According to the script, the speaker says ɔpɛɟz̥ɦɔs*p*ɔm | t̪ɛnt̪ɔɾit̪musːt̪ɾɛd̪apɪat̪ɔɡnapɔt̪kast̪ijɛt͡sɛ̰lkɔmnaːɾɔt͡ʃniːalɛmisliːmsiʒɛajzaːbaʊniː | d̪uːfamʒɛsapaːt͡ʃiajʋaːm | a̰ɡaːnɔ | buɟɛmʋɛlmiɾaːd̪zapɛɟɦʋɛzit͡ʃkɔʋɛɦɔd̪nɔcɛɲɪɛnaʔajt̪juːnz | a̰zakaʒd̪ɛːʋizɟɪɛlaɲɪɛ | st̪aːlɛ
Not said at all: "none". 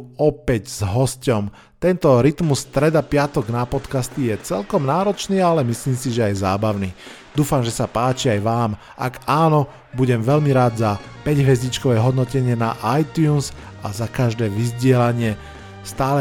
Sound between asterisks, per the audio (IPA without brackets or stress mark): c